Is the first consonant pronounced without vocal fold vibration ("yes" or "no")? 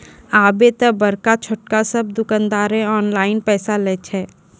no